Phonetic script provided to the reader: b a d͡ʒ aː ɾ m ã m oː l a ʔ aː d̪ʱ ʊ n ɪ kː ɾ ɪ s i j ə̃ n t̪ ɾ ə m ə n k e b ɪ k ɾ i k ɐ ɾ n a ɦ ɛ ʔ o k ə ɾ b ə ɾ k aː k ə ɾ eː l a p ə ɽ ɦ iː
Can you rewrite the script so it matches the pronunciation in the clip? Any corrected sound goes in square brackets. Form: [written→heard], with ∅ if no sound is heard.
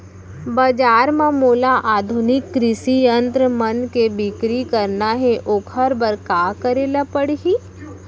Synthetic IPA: b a d͡ʒ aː ɾ m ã m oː l a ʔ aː d̪ʱ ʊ n ɪ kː ɾ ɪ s i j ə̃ n t̪ ɾ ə m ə n k e b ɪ k ɾ i k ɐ ɾ n a ɦ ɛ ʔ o [k→kʰ] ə ɾ b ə ɾ k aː k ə ɾ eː l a p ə ɽ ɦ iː